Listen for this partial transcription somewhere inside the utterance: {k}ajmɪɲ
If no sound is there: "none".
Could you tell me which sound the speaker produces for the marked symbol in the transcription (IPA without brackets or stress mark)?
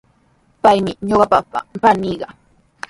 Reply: p